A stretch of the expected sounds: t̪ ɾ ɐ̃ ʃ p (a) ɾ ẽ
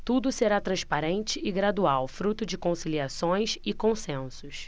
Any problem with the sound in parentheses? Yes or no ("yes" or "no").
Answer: no